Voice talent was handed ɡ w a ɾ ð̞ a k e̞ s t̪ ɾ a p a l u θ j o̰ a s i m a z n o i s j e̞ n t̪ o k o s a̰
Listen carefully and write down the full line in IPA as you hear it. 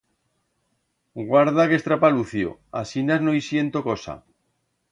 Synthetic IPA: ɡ w a ɾ ð̞ a k e̞ s t̪ ɾ a p a l u θ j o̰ a s i n a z n o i s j e̞ n t̪ o k o s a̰